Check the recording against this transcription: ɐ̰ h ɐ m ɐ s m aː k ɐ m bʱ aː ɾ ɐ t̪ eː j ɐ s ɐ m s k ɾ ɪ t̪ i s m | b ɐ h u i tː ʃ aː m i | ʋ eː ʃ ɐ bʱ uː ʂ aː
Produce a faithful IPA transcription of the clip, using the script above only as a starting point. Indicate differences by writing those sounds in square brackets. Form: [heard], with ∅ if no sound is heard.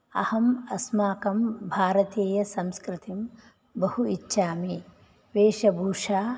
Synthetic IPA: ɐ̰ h ɐ m ɐ s m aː k ɐ m bʱ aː ɾ ɐ t̪ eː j ɐ s ɐ m s k ɾ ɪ t̪ i [∅] m | b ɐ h u i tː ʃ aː m i | ʋ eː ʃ ɐ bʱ uː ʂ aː